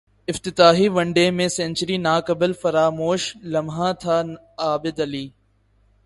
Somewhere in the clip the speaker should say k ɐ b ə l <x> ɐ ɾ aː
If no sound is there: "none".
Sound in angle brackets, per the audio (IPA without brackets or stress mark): f